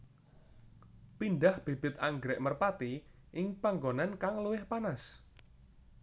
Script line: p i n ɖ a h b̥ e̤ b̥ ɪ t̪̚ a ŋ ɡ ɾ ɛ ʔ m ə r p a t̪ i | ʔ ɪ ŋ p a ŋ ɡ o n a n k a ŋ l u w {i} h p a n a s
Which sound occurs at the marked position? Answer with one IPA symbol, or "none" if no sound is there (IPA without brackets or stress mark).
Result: ɪ